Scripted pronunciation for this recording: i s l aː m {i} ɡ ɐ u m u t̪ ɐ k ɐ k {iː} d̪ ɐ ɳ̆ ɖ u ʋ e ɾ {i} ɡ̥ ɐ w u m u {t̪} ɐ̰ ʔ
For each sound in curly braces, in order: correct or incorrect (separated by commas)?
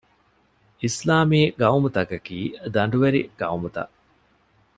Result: incorrect, correct, correct, correct